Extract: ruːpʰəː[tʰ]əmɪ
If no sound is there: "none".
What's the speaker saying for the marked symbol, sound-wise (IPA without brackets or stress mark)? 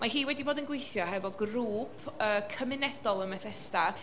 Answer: kʰ